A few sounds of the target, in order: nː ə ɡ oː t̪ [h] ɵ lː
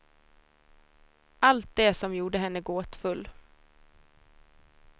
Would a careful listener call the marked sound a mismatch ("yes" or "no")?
yes